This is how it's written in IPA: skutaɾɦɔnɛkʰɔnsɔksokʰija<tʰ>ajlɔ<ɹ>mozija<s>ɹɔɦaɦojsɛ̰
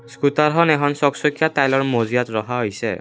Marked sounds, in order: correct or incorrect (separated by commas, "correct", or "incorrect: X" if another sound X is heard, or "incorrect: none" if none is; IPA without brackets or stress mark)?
incorrect: t, correct, incorrect: t